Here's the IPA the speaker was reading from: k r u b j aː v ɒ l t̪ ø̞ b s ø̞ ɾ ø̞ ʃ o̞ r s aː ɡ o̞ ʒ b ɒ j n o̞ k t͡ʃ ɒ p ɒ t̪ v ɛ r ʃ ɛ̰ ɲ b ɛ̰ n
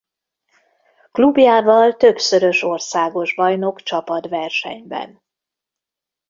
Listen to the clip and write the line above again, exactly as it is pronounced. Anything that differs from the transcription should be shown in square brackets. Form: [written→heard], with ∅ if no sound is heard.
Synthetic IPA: k [r→l] u b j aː v ɒ l t̪ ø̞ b s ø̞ ɾ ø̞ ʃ o̞ r s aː ɡ o̞ ʒ b ɒ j n o̞ k t͡ʃ ɒ p ɒ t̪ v ɛ r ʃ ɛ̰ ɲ b ɛ̰ n